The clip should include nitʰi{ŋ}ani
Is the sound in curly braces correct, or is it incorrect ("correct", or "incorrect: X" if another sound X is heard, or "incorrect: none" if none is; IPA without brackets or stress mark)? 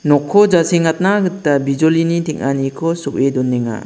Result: correct